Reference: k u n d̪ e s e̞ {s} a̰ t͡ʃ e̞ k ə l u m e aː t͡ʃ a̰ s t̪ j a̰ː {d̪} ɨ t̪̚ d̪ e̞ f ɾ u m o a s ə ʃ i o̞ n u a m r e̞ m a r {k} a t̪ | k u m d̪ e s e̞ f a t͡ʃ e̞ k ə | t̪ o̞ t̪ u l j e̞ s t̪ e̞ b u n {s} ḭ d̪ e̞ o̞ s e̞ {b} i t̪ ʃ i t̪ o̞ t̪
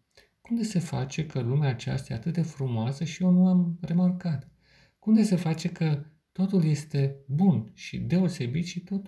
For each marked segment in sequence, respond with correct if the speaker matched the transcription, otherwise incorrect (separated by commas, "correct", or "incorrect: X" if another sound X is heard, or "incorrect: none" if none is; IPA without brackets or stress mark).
incorrect: f, incorrect: t̪, correct, incorrect: ʃ, correct